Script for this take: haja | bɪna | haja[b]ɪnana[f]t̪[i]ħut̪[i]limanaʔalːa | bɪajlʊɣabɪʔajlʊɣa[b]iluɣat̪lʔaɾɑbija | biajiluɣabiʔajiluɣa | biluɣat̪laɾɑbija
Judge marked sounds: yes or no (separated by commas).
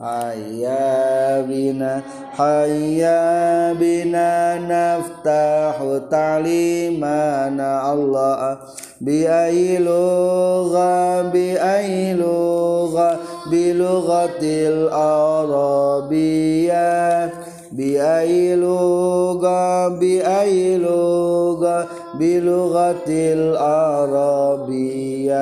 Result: yes, yes, no, no, yes